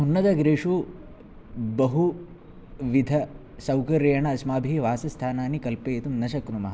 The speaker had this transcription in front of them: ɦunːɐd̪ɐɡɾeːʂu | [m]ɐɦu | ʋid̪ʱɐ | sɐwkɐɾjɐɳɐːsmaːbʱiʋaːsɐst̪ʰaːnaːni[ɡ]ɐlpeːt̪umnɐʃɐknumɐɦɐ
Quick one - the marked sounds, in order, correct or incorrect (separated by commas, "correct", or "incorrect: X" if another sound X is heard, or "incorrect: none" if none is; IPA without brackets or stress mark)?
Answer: incorrect: b, incorrect: k